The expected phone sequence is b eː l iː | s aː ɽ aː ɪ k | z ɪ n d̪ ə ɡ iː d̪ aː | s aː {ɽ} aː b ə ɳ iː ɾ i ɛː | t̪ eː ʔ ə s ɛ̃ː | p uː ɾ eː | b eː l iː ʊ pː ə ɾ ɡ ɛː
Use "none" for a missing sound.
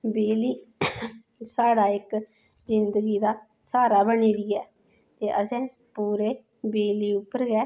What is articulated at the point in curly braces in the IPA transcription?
ɾ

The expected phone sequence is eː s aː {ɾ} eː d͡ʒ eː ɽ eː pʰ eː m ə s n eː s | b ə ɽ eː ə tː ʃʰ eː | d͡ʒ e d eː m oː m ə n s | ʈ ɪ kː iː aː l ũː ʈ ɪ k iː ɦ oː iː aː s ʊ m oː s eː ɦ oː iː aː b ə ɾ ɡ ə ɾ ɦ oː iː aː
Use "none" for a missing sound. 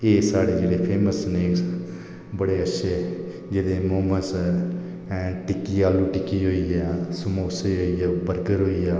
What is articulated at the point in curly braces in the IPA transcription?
ɽ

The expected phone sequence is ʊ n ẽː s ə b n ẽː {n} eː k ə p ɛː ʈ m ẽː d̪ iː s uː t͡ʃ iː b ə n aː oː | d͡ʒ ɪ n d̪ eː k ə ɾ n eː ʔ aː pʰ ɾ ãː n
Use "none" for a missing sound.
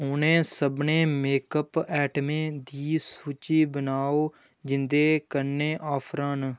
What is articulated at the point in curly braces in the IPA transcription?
m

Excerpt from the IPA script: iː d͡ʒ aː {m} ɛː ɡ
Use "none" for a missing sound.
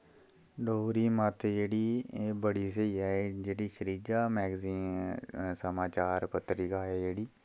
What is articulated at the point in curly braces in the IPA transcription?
m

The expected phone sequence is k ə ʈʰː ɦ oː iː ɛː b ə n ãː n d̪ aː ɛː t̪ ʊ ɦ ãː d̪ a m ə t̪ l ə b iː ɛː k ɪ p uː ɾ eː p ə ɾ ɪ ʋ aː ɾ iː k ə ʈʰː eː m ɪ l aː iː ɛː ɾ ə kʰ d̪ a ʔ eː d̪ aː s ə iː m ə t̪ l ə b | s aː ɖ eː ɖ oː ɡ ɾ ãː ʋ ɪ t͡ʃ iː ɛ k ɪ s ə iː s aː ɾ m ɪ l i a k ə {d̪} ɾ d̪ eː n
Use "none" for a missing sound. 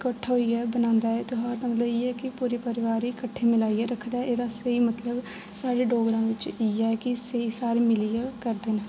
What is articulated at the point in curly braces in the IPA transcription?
none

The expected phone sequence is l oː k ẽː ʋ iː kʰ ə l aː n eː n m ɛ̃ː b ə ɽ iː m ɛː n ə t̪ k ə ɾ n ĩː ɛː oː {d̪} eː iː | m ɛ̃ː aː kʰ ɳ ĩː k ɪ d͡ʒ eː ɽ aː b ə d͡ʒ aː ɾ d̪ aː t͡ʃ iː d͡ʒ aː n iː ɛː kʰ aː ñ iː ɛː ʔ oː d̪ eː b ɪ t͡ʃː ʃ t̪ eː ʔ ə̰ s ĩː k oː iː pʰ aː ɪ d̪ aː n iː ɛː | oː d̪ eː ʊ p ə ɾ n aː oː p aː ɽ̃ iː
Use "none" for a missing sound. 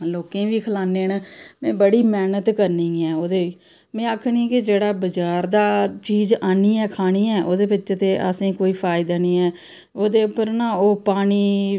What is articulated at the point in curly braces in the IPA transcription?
d̪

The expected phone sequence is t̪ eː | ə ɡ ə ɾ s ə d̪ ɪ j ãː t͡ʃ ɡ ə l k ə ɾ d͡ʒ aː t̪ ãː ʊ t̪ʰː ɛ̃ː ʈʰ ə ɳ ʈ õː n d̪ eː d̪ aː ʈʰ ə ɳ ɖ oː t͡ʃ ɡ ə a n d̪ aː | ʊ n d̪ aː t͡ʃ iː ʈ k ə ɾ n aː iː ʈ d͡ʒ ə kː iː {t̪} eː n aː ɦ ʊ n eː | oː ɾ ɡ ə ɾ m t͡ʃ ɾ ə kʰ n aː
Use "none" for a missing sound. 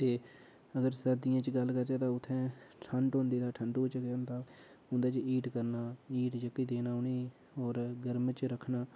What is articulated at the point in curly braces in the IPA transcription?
d̪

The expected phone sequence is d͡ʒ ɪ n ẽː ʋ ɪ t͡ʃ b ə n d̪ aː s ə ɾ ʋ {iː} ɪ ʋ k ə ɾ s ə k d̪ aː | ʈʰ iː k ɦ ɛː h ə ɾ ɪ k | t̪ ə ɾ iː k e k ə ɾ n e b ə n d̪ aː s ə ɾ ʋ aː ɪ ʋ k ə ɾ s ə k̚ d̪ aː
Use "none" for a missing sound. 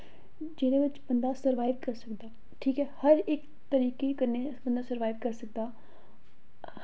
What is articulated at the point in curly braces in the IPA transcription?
aː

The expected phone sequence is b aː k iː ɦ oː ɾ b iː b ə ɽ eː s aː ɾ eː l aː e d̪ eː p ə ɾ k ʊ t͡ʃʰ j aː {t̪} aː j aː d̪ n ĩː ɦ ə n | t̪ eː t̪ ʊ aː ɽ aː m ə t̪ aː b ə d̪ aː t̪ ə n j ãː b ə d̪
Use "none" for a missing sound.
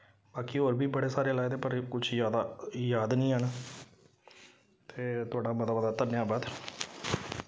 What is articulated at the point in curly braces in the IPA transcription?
d̪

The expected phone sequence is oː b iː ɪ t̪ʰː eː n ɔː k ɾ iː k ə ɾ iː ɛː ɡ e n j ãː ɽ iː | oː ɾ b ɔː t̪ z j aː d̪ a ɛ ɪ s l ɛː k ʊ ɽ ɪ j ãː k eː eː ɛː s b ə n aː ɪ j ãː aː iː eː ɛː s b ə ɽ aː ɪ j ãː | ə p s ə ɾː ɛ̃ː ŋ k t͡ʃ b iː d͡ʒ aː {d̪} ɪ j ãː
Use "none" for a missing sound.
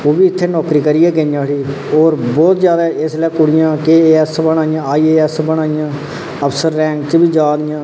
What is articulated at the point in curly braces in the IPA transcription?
d̪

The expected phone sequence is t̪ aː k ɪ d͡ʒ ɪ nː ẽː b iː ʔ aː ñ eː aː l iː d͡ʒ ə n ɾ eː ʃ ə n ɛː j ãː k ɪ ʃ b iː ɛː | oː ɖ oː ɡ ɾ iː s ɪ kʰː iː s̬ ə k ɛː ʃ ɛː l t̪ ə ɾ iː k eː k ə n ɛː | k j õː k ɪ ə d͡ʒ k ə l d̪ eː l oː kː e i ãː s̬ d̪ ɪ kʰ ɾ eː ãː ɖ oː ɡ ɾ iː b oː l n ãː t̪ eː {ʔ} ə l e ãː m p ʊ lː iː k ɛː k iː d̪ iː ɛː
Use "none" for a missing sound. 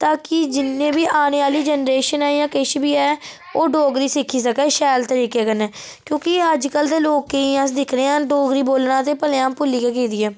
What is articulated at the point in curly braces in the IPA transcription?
p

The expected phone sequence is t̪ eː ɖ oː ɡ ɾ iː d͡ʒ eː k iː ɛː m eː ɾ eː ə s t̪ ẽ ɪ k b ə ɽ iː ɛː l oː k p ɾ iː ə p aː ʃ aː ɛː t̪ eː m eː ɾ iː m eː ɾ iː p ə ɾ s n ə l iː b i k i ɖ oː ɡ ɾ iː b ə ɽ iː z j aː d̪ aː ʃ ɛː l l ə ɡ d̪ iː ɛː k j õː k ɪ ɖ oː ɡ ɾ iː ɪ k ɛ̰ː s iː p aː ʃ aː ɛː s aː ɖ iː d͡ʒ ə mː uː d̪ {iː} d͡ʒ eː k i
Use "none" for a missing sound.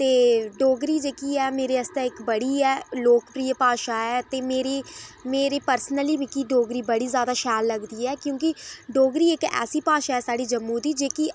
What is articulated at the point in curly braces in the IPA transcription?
iː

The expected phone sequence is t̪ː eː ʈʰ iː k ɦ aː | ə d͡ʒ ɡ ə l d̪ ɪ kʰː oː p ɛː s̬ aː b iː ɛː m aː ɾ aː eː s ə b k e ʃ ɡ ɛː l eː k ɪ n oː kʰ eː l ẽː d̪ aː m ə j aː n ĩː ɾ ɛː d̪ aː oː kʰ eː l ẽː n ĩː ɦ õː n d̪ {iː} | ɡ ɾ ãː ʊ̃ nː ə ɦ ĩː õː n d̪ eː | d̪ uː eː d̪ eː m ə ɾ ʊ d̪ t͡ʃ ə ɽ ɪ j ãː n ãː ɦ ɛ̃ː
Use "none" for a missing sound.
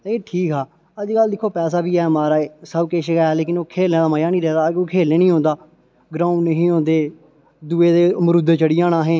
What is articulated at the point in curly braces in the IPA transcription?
aː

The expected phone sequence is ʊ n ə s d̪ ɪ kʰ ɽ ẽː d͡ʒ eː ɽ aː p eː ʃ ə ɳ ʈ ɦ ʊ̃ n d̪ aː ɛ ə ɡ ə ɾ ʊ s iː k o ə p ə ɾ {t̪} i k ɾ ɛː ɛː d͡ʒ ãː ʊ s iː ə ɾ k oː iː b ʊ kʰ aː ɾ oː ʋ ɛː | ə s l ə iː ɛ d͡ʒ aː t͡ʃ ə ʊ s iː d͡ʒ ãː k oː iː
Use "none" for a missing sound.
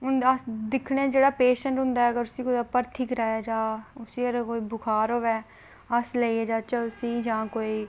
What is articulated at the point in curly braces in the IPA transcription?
t̪ʰ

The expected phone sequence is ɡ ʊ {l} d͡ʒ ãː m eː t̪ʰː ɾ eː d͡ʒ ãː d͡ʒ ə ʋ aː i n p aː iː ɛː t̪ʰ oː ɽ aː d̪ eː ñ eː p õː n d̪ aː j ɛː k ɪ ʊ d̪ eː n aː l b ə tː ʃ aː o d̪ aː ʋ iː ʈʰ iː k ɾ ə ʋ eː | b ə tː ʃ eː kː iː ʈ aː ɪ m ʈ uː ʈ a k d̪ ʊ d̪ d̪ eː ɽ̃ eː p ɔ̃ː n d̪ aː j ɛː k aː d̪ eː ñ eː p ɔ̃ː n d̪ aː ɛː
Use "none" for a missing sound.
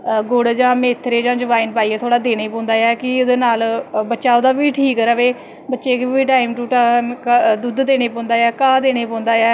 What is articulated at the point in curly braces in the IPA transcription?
ɽ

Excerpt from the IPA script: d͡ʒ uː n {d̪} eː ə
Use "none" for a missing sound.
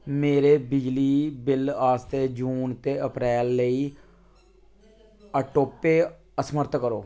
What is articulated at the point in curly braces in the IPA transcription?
t̪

